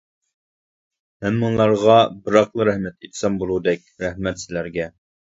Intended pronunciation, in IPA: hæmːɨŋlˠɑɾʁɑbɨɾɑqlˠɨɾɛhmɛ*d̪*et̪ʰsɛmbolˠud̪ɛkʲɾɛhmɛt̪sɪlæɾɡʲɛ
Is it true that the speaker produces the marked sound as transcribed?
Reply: no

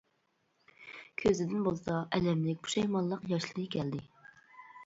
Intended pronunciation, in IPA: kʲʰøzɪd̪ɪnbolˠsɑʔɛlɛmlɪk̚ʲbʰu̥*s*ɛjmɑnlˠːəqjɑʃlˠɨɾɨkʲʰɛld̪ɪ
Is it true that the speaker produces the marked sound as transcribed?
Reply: no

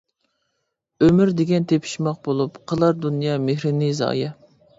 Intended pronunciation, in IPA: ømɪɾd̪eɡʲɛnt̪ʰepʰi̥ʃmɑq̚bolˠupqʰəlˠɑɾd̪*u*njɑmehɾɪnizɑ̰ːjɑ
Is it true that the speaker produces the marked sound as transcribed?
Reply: yes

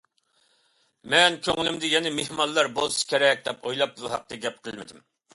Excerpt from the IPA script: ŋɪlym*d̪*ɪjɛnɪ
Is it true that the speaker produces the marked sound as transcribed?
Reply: yes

